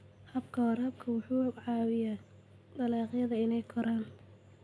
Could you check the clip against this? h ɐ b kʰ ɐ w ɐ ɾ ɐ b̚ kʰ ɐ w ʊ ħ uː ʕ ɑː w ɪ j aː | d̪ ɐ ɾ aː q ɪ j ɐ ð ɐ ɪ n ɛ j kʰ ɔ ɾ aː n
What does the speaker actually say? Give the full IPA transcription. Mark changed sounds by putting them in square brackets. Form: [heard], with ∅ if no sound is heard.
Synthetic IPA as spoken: h ɐ b kʰ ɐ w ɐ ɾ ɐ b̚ kʰ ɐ w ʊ ħ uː ʕ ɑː w ɪ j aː | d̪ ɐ [l] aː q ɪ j ɐ ð ɐ ɪ n ɛ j kʰ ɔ ɾ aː n